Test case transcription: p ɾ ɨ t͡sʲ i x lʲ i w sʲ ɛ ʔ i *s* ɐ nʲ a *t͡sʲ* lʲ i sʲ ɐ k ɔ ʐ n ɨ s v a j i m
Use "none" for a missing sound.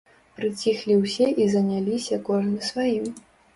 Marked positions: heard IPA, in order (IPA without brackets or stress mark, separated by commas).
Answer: z, none